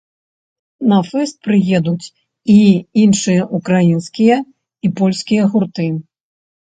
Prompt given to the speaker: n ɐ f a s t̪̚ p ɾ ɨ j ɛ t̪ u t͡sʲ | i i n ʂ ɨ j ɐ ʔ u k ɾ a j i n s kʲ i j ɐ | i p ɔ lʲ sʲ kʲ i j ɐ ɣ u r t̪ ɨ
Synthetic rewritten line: n ɐ f ɛ s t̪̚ p ɾ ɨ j ɛ d̪ u t͡sʲ | i i n ʂ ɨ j ɐ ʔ u k ɾ a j i n s kʲ i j ɐ | i p ɔ lʲ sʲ kʲ i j ɐ ɣ u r t̪ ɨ